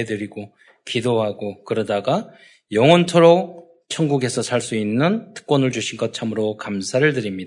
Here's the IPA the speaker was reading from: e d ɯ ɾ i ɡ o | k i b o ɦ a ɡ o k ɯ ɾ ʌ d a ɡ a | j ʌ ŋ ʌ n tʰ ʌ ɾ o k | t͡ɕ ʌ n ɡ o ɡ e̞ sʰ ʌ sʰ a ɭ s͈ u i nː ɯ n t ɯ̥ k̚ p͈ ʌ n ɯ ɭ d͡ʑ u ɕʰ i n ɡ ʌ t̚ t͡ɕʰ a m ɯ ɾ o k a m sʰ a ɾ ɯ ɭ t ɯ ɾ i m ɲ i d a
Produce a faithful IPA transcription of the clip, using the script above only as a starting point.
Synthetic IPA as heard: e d ɯ ɾ i ɡ o | k i d o ɦ a ɡ o k ɯ ɾ ʌ d a ɡ a | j ʌ ŋ ʌ n tʰ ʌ ɾ o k | t͡ɕʰ ʌ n ɡ u ɡ e̞ sʰ ʌ sʰ a ɭ s͈ u i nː ɯ n t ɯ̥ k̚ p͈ ʌ n ɯ ɭ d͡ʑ u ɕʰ i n ɡ ʌ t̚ t͡ɕʰ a m ɯ ɾ o k a m sʰ a ɾ ɯ ɭ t ɯ ɾ i m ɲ i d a